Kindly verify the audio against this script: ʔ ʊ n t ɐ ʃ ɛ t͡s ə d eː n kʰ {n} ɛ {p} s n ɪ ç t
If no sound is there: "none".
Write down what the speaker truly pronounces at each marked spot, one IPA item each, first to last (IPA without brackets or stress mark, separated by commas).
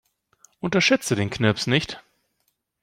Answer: n, p